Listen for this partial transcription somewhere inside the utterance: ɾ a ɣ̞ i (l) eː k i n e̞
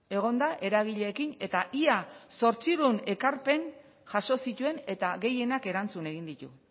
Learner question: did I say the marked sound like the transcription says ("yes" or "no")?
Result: no